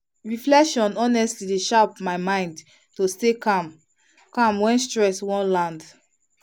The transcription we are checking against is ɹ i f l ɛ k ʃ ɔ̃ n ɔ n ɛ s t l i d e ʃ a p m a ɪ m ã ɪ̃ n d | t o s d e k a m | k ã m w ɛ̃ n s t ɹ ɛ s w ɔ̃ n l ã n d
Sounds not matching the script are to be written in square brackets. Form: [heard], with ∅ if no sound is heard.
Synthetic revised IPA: ɹ i f l ɛ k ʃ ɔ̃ n ɔ n ɛ s t l i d e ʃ a p m a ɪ m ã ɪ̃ n d | t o s [t] e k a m | k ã m w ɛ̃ n s t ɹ ɛ s w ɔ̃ n l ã n d